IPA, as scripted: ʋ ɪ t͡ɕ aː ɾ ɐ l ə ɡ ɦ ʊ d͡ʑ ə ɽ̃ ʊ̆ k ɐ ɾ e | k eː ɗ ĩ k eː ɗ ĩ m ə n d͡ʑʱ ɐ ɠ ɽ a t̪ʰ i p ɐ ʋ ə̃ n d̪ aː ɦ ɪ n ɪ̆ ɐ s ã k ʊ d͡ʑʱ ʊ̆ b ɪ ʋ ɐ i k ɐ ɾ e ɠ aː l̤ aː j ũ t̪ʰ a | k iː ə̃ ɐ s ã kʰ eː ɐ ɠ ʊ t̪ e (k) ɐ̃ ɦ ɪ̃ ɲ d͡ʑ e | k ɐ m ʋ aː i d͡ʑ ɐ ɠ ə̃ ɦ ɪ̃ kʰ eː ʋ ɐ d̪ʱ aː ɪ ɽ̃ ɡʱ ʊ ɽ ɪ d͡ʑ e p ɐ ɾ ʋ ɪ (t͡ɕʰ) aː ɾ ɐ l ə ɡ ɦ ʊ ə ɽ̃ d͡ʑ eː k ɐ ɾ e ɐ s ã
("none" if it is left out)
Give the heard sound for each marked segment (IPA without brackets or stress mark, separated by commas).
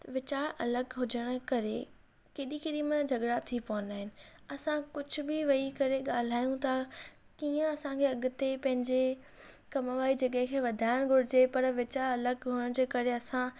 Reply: p, t͡ɕ